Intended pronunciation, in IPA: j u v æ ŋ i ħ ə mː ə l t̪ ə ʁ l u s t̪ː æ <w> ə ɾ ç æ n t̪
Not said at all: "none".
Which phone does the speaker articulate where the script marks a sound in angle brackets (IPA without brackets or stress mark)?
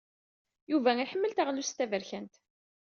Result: v